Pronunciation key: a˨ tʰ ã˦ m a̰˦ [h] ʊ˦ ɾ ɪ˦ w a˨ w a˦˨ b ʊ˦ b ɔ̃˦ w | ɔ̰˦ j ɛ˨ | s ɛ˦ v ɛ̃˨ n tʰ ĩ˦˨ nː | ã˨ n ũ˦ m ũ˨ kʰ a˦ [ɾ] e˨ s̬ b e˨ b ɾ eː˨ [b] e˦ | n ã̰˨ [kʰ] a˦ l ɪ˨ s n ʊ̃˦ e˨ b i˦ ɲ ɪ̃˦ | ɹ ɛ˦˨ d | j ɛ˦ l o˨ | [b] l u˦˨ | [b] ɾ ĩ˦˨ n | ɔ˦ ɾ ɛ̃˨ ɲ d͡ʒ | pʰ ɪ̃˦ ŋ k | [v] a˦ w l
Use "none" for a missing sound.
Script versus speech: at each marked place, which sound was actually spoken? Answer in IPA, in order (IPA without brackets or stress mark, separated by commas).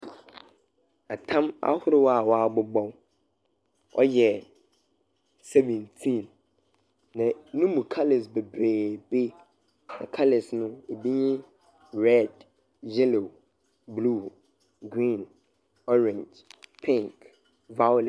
h, l, b, kʰ, b, ɡ, v